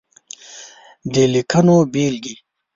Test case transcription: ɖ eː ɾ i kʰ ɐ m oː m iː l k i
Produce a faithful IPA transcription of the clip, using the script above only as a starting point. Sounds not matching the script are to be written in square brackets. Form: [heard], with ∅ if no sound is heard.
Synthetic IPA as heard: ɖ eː [l] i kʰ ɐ [n] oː [b] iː l [ɡ] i